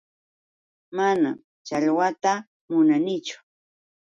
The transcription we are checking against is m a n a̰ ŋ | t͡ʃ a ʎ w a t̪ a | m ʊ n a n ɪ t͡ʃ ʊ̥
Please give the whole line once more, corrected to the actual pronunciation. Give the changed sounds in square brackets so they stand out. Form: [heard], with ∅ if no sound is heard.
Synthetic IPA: m a n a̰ [m] | t͡ʃ a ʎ w a t̪ a | m ʊ n a n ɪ t͡ʃ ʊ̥